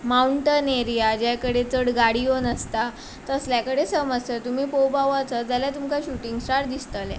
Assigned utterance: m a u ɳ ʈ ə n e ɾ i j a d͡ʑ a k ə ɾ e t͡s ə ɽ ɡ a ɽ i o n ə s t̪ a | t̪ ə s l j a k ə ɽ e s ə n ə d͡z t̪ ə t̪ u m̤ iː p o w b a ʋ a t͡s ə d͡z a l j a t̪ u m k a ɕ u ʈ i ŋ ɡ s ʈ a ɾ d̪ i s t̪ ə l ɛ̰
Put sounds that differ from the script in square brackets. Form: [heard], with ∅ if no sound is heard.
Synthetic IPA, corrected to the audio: m a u ɳ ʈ ə n e ɾ i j a d͡ʑ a k ə [ɽ] e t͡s ə ɽ ɡ a ɽ i o n ə s t̪ a | t̪ ə s l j a k ə ɽ e s ə [m] ə d͡z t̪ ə t̪ u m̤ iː p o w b a ʋ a t͡s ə d͡z a l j a t̪ u m k a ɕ u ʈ i ŋ ɡ s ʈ a ɾ d̪ i s t̪ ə l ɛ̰